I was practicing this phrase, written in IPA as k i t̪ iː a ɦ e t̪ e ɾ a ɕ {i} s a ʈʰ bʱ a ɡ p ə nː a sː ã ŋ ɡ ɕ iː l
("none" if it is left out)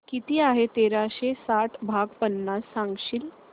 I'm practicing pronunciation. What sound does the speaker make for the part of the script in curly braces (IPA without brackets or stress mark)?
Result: e